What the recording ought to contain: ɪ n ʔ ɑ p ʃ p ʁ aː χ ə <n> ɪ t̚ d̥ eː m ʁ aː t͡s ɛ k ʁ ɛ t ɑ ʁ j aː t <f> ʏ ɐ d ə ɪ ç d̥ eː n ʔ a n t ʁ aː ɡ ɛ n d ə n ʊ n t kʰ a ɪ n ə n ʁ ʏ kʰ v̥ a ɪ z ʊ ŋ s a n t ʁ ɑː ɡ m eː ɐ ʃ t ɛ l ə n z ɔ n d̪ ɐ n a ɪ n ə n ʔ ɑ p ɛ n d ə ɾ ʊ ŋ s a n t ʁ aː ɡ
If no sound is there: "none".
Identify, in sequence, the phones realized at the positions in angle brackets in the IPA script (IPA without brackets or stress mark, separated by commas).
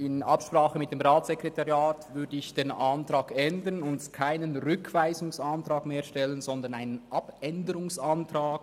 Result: m, v